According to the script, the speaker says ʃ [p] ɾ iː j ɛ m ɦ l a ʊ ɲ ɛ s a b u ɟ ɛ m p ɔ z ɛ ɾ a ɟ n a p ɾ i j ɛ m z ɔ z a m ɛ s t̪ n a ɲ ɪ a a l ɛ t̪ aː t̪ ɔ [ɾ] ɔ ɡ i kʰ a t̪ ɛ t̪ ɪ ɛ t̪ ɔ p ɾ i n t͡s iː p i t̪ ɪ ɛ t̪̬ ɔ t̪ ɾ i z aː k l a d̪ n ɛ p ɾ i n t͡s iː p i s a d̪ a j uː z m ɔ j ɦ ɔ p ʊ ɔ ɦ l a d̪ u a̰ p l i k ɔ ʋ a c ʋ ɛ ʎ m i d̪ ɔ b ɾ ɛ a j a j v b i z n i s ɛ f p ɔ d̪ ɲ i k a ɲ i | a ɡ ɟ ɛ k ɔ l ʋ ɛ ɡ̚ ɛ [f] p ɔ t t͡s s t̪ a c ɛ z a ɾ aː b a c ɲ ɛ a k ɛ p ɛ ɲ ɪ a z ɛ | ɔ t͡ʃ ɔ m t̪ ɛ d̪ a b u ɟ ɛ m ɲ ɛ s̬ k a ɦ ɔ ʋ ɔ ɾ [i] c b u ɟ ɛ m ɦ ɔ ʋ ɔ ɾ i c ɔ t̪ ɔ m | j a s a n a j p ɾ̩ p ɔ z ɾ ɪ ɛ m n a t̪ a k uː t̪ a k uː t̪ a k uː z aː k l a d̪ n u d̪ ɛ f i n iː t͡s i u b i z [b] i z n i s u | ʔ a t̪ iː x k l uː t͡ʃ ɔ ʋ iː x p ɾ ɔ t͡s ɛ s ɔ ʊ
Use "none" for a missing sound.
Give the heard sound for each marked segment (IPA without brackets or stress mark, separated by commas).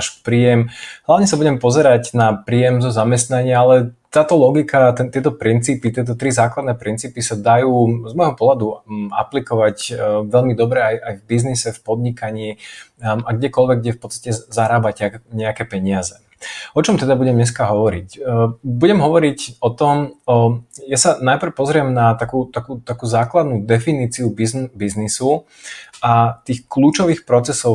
p, l, f, i, b